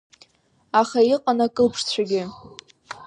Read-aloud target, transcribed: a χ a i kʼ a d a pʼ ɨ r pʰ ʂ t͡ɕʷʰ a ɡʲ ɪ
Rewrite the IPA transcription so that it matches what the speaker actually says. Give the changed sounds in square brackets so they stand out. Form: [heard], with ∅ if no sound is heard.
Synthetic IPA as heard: a χ a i [qʼ] a [n] a [kʼ] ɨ [l] pʰ ʂ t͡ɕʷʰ a ɡʲ ɪ